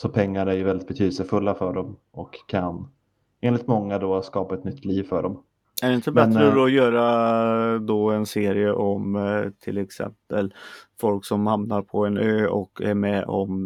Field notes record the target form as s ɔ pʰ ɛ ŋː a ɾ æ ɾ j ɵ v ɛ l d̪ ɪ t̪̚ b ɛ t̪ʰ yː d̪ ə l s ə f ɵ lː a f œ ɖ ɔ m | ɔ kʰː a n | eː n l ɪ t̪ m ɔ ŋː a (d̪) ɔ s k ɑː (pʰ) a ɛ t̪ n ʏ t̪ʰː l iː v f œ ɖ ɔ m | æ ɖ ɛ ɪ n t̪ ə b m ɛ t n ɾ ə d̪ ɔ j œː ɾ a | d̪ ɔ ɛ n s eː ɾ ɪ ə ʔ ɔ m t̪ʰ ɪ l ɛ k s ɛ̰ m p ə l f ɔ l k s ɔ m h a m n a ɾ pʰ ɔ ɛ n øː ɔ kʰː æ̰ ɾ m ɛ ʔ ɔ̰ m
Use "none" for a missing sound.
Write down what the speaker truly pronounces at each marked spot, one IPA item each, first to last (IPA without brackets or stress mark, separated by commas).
d̪, p